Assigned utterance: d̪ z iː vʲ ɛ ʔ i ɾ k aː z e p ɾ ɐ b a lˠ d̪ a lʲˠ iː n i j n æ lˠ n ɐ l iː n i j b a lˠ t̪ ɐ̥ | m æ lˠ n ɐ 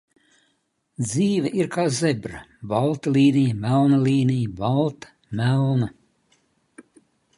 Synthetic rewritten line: d̪ z iː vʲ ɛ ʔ i ɾ k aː z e b ɾ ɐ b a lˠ t̪ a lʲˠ iː n i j m æ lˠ n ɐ l iː n i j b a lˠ t̪ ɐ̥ | m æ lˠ n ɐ